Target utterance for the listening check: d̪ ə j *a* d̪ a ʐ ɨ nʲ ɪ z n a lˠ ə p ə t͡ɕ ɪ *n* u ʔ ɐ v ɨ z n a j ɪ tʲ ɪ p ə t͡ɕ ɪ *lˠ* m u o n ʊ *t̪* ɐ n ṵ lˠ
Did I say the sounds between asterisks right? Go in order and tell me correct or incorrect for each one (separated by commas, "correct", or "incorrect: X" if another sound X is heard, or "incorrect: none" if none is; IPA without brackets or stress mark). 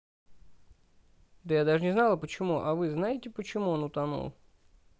correct, incorrect: m, incorrect: none, correct